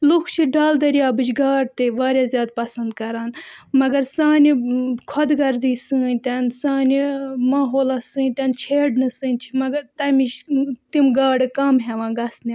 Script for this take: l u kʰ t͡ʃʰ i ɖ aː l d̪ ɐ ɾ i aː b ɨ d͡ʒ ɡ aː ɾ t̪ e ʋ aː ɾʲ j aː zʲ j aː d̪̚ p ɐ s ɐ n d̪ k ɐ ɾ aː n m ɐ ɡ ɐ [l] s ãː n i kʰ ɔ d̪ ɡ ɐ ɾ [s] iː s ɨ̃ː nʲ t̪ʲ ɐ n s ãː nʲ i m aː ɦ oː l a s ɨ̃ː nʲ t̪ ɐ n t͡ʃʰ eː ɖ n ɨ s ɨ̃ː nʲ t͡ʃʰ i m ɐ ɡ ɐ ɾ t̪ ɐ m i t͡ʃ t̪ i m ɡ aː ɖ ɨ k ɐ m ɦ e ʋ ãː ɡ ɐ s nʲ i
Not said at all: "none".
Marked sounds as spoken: ɾ, z

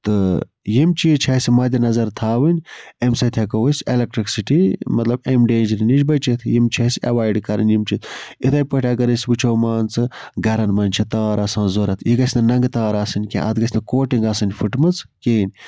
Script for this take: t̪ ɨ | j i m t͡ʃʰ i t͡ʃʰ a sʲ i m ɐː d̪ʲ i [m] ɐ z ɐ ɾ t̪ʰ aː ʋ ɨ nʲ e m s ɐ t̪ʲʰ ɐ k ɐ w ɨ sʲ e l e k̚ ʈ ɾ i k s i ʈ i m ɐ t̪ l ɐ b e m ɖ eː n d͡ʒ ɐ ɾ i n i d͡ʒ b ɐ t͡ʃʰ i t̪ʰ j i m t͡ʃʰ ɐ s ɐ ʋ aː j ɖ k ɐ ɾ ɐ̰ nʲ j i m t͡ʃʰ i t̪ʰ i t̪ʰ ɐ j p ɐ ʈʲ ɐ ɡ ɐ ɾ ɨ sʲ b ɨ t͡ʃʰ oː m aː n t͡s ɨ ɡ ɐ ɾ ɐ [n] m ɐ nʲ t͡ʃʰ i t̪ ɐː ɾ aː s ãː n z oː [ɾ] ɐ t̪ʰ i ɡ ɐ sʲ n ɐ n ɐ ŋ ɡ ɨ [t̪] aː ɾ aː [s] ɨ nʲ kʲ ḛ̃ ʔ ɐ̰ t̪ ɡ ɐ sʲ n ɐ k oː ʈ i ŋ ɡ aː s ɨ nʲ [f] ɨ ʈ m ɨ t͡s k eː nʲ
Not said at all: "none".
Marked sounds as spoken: n, n, ɾ, t̪, s, f

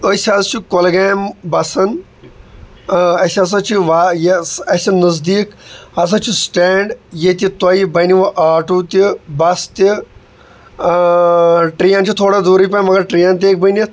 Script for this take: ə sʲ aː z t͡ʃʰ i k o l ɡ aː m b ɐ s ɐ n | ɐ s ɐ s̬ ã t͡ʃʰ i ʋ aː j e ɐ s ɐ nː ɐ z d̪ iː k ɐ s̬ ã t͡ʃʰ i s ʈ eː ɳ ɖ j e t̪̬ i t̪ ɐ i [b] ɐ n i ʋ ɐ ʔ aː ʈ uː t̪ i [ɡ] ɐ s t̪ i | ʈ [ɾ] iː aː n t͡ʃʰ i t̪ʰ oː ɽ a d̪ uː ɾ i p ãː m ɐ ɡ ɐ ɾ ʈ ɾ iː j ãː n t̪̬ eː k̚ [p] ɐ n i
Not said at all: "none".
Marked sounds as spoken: b, b, ɾ, b

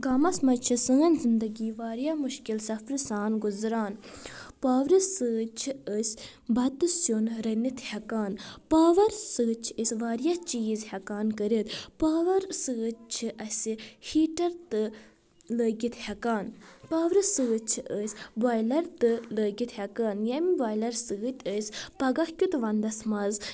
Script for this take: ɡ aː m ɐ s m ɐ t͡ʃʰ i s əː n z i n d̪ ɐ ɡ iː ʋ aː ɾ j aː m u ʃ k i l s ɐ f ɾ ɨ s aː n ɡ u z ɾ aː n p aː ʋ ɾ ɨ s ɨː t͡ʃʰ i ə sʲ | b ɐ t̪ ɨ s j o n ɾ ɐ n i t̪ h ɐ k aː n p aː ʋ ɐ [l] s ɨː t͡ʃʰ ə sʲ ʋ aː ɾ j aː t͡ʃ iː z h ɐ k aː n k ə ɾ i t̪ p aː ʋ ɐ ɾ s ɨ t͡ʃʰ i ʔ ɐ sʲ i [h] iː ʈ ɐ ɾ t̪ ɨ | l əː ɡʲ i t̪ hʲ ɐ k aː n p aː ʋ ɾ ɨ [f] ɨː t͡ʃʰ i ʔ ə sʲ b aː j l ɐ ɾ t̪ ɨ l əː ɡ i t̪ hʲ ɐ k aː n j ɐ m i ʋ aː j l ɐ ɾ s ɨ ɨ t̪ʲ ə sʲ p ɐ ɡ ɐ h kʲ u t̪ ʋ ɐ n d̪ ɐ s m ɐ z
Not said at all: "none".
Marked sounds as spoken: ɾ, h, s

